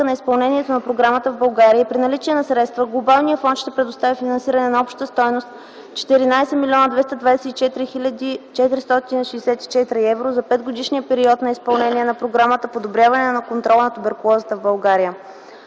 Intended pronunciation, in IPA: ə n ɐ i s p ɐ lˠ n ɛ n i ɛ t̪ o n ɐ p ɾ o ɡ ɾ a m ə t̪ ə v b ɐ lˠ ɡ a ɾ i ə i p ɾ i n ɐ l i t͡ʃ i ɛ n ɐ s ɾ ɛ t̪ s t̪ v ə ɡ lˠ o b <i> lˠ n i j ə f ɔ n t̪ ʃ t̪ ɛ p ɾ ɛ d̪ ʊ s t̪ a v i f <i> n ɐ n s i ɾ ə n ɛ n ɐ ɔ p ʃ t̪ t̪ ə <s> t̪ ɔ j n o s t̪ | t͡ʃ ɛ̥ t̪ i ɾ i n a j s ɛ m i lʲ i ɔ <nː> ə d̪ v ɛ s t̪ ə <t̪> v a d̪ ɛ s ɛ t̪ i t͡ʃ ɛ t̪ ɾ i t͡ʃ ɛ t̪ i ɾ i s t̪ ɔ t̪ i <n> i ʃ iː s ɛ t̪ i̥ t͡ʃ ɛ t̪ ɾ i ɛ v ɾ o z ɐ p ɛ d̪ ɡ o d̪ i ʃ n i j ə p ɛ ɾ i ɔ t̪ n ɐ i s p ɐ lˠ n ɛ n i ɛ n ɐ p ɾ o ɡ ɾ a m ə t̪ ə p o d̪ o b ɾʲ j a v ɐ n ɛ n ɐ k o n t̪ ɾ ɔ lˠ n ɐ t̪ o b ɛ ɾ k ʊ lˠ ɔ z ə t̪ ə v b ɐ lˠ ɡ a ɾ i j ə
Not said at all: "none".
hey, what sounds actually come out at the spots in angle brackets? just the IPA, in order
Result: a, i, s, n, d̪, n

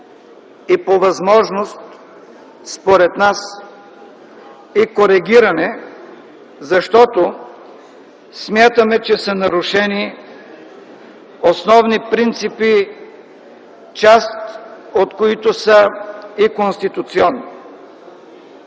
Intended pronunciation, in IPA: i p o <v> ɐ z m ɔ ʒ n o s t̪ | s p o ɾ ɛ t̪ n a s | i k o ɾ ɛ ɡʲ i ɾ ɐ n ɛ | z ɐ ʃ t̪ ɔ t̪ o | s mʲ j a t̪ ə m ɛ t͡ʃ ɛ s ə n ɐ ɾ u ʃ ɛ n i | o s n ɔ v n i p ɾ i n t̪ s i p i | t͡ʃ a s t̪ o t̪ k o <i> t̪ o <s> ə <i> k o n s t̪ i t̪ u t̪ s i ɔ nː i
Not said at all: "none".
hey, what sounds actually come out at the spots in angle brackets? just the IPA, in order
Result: v, i, s, i

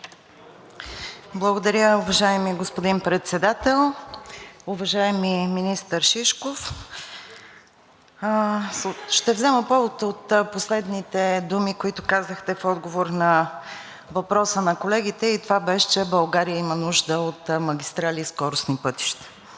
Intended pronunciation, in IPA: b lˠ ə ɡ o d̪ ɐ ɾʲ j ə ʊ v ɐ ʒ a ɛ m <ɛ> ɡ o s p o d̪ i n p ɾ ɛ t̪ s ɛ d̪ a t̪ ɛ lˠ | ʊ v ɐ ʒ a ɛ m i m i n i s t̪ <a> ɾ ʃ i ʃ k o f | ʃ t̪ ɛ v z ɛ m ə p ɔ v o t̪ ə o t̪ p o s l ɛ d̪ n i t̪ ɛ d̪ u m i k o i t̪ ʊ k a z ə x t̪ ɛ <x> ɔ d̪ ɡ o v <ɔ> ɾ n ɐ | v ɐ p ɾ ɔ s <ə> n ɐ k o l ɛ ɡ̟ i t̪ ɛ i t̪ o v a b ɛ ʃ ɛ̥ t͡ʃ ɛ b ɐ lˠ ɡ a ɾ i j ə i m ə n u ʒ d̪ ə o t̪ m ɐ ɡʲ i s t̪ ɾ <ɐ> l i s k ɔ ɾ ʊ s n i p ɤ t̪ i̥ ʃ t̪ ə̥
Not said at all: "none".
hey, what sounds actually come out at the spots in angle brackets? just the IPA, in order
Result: i, ə, f, o, ə, a

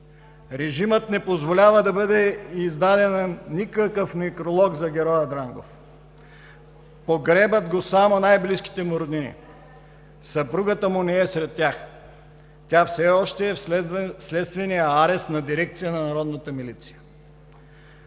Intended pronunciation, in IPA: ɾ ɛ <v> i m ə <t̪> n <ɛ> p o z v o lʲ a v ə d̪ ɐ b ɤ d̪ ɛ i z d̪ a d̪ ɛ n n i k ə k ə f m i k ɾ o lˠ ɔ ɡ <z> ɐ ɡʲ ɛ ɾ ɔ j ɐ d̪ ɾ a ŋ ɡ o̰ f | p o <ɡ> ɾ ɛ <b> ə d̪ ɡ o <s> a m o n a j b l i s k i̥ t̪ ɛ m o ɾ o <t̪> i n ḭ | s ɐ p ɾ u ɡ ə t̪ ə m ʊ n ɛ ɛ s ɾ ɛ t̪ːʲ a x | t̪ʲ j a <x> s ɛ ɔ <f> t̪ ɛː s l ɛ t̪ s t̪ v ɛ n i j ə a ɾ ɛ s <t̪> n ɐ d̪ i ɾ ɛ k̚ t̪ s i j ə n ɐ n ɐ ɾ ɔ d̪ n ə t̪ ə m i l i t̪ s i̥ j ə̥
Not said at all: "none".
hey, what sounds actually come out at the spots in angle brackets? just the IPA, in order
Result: ʒ, t̪, ɛ, z, ɡ, b, s, d̪, f, ʃ, t̪

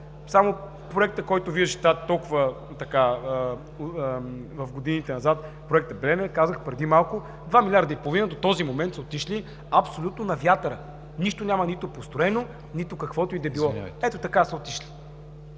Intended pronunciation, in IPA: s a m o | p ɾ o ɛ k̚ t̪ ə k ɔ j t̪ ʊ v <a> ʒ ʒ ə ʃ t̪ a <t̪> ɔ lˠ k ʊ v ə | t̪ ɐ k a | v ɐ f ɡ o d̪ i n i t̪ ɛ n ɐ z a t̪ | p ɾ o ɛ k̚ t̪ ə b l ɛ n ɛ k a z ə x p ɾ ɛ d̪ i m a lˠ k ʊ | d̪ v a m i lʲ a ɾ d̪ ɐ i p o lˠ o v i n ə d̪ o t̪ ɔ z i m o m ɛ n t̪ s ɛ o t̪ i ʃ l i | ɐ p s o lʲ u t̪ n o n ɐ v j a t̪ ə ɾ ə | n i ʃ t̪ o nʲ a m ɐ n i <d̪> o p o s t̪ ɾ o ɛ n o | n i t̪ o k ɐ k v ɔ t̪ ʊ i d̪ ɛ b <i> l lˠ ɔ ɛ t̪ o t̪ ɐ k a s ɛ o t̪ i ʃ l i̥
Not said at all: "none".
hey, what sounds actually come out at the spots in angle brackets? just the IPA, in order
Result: i, t̪, t̪, i

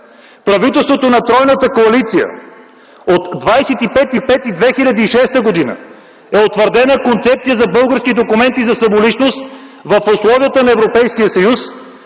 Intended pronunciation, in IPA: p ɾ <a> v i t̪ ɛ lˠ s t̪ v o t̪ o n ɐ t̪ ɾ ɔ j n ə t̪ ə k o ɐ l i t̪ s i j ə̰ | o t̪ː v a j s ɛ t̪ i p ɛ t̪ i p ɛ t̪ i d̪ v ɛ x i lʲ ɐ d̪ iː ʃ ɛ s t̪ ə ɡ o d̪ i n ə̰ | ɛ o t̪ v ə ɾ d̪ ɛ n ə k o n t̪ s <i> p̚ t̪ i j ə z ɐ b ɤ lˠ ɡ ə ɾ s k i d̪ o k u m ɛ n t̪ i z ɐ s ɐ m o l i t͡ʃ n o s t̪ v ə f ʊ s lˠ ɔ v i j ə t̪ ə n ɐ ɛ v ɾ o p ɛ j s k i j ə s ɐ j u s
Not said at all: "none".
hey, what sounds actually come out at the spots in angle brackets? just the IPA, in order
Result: ɐ, ɛ

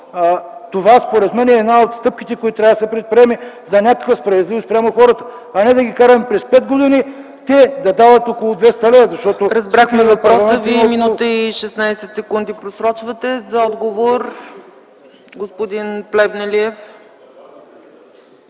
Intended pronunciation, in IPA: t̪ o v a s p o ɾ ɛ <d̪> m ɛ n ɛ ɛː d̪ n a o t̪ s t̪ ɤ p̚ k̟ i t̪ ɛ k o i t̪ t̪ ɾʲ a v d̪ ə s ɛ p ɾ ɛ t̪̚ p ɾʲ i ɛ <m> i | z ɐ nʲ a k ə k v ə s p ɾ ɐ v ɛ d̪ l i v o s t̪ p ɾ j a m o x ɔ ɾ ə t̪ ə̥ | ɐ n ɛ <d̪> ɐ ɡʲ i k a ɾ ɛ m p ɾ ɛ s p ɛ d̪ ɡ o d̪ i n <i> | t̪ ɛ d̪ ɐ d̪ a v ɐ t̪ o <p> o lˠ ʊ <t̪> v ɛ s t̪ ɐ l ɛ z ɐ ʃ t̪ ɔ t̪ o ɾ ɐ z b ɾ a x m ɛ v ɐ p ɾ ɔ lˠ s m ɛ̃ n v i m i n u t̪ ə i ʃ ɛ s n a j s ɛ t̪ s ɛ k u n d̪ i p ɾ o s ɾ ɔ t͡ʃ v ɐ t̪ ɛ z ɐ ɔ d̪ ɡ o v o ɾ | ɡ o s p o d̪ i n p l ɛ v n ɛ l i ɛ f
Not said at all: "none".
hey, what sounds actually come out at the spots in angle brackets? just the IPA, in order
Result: t̪, m, d̪, i, k, d̪

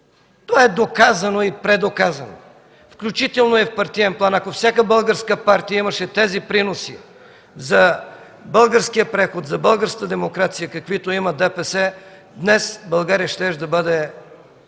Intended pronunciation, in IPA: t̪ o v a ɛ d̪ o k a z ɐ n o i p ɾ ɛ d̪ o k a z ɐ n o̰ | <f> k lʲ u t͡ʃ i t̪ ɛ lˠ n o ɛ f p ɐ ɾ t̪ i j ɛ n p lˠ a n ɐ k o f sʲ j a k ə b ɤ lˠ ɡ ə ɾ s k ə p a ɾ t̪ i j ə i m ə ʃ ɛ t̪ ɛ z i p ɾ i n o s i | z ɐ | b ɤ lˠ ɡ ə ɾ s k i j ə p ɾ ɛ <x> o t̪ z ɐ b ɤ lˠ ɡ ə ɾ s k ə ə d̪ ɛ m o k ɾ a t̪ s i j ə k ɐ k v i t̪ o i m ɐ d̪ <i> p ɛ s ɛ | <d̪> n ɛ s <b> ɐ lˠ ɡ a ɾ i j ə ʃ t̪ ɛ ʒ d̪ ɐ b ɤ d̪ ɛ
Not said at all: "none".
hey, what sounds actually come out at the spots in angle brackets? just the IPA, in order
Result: f, x, ɛ, d̪, b

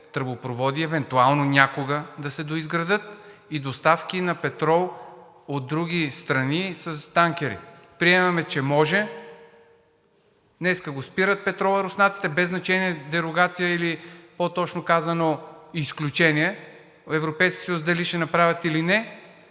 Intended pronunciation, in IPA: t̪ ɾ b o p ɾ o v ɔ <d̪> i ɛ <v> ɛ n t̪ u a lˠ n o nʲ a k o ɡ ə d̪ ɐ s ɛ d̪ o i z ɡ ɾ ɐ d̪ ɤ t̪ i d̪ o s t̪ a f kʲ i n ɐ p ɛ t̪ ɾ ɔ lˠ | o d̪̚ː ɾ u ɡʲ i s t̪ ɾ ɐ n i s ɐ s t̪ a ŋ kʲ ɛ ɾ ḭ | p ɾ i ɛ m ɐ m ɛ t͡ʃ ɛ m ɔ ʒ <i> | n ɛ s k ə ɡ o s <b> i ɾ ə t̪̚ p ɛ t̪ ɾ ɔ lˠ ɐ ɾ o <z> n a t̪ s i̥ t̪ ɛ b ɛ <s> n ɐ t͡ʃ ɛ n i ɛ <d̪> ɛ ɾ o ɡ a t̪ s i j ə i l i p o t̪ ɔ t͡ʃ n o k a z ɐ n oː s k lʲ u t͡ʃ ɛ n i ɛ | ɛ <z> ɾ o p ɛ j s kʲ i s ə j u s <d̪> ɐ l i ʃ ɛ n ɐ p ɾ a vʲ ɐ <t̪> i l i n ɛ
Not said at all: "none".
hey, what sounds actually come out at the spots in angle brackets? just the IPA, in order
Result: d̪, v, ɛ, p, s, z, d̪, v, d̪, t̪

